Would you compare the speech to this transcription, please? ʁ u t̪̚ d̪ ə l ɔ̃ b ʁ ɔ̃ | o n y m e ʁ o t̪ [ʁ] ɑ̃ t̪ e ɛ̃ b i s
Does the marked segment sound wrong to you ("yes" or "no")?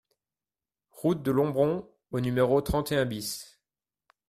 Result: yes